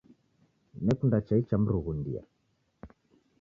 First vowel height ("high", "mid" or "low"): mid